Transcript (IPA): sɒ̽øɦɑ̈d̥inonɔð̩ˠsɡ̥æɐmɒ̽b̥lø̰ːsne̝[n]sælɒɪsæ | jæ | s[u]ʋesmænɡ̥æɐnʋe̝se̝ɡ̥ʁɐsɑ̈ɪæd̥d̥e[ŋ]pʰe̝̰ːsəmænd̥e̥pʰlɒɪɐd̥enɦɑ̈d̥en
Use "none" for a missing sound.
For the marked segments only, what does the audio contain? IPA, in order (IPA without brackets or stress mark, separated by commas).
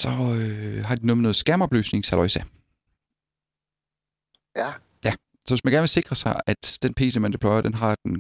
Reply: ŋ, ɒ, n